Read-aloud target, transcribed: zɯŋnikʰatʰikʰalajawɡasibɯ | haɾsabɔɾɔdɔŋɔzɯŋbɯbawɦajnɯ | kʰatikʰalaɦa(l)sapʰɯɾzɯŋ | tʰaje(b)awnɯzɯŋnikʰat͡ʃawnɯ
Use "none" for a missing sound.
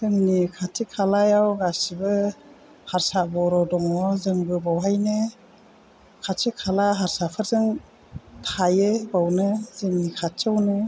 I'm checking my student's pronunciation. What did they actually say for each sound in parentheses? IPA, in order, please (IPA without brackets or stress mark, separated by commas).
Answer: ɾ, b